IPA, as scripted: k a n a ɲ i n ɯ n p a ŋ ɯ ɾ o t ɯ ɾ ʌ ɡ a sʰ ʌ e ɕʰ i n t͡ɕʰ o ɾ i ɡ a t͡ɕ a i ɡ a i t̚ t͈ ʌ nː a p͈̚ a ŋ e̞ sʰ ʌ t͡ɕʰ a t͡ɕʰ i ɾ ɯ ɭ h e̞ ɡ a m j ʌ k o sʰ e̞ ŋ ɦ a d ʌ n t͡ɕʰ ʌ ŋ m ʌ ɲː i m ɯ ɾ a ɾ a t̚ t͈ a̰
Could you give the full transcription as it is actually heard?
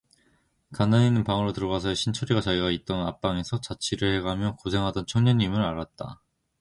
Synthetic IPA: k a n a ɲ i n ɯ n p a ŋ ɯ ɾ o t ɯ ɾ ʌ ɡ a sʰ ʌ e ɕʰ i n t͡ɕʰ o ɾ i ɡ a t͡ɕ a i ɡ a i t̚ t͈ ʌ n a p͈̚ a ŋ e̞ sʰ ʌ t͡ɕ a t͡ɕʰ i ɾ ɯ ɭ h e̞ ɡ a m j ʌ k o sʰ e̞ ŋ ɦ a d ʌ n t͡ɕʰ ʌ ŋ ɲ ʌ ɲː i m ɯ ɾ a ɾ a t̚ t͈ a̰